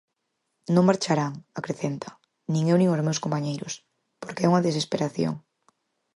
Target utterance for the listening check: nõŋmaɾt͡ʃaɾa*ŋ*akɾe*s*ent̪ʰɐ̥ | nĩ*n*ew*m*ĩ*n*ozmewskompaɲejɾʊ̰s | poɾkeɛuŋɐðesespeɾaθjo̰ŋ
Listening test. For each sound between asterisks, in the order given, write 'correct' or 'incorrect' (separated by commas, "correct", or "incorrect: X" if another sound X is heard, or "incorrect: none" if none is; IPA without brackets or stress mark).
correct, incorrect: θ, incorrect: ŋ, incorrect: n, incorrect: ŋ